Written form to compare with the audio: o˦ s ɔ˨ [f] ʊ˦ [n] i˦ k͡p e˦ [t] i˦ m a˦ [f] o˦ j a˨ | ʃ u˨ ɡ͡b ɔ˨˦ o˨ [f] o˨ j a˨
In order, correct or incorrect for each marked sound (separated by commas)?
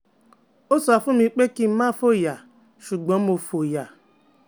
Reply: correct, incorrect, incorrect, correct, correct